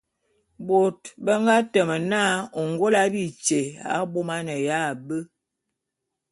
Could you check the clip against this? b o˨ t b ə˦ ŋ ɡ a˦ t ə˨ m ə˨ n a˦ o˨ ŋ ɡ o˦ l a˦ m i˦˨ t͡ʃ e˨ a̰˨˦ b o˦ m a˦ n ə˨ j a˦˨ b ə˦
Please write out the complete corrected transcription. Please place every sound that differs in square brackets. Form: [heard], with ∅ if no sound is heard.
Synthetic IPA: b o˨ t b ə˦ ŋ ɡ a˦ t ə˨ m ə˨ n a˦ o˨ ŋ ɡ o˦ l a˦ [b] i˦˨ t͡ʃ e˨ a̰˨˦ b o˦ m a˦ n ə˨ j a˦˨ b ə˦

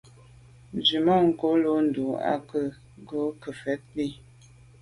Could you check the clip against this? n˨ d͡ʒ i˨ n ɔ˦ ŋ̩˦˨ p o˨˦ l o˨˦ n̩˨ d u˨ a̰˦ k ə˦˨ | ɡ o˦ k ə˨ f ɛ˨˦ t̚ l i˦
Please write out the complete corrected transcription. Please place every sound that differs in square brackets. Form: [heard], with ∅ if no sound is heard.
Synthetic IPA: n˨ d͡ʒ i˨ [m] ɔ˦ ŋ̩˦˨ [k] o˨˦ l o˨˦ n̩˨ d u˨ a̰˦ k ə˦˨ | ɡ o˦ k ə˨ f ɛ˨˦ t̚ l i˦

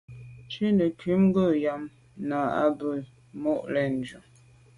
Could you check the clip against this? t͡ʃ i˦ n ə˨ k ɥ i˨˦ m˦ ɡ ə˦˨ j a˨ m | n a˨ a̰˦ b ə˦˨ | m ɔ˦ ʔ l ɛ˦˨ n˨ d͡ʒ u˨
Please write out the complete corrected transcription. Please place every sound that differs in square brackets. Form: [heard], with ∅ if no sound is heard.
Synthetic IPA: t͡ʃ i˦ n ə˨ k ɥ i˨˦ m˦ ɡ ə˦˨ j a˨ m | n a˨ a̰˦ b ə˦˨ | m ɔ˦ ʔ l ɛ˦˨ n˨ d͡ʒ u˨

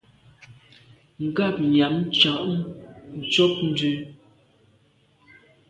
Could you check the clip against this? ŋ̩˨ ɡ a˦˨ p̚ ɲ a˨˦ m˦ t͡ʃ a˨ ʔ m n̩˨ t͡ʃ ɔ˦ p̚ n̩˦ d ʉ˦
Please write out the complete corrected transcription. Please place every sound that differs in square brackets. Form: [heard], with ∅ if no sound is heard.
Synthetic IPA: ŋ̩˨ ɡ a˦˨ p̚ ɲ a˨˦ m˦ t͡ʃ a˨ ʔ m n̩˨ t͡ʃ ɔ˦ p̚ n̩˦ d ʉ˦

